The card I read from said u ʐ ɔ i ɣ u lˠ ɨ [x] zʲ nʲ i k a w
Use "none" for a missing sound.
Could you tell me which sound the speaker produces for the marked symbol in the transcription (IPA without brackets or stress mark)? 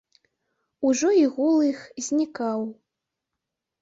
x